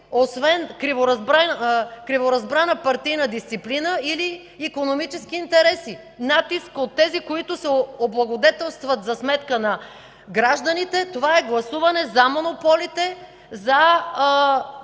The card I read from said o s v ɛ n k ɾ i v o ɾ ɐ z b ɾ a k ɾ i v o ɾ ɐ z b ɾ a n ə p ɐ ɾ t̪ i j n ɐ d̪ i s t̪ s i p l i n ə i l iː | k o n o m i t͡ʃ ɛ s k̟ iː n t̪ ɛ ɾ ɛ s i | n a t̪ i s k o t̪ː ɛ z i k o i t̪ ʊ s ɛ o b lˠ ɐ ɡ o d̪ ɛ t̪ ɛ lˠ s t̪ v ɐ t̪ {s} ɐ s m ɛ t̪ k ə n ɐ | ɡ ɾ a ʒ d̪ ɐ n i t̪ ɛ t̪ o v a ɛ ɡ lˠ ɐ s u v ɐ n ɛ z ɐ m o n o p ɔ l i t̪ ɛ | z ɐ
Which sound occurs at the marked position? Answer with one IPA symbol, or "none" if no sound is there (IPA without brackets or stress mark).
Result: z